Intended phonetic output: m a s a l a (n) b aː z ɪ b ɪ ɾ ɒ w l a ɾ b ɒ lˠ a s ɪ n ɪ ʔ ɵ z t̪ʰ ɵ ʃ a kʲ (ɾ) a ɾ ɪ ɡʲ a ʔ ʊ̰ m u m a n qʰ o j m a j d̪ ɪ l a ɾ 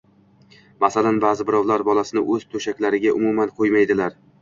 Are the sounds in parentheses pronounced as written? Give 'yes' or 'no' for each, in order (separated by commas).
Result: yes, no